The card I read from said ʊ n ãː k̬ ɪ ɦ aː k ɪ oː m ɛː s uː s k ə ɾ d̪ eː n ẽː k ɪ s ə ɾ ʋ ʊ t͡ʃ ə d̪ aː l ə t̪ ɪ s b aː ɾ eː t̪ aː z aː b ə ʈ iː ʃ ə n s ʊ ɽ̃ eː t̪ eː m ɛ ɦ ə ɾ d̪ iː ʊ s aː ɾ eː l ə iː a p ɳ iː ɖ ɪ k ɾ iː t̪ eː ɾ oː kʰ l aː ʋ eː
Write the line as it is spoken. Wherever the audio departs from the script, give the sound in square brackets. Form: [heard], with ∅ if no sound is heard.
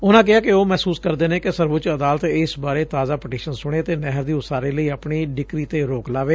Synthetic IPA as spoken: ʊ n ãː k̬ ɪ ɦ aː k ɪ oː m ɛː s uː s k ə ɾ d̪ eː n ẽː k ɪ s ə ɾ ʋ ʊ t͡ʃ ə d̪ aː l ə t̪ ɪ s b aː ɾ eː t̪ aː z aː [p] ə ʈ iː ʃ ə n s ʊ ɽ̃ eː t̪ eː [n] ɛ ɦ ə ɾ d̪ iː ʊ s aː ɾ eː l ə iː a p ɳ iː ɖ ɪ k ɾ iː t̪ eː ɾ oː [k] l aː ʋ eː